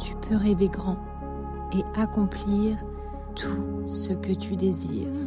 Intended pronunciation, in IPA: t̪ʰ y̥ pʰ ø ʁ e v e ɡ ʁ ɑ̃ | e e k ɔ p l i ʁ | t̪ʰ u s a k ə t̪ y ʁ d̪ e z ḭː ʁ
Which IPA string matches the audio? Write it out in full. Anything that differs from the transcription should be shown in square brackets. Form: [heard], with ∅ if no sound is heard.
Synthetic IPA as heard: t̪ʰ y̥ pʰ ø ʁ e v e ɡ ʁ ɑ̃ | e [a] k [ɔ̃] p l i ʁ | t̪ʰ u s [ə] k ə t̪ y [∅] d̪ e z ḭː ʁ